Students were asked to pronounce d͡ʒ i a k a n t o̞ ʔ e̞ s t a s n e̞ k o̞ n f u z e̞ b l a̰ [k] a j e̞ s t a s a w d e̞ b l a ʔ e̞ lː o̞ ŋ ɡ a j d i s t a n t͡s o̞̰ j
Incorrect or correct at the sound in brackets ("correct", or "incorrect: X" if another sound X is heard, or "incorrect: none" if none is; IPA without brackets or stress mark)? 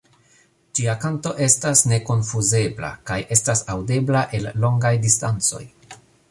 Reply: correct